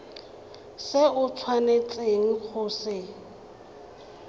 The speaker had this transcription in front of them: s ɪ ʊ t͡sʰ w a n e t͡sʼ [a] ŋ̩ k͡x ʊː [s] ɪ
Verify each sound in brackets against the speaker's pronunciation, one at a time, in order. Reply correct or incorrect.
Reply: incorrect: e, correct

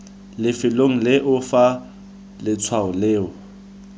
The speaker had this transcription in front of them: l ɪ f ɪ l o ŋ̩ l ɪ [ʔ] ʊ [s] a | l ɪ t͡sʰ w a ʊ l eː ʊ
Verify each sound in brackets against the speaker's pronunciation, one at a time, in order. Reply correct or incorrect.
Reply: correct, incorrect: f

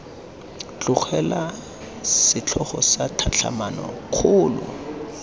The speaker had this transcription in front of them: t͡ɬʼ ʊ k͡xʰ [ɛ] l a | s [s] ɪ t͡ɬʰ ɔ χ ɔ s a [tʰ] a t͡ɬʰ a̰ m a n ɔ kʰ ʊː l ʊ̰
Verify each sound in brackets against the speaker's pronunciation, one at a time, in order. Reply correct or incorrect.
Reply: correct, correct, correct

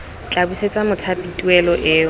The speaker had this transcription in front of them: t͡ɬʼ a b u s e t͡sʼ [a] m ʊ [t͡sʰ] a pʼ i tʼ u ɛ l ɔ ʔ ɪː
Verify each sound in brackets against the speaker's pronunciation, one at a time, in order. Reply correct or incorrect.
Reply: correct, correct

